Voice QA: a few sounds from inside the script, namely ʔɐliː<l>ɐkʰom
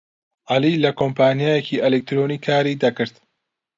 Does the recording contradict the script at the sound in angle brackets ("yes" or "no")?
no